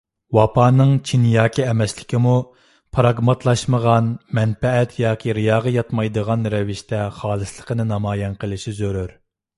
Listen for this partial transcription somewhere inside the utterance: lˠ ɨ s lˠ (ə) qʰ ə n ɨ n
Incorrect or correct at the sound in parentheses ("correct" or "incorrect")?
correct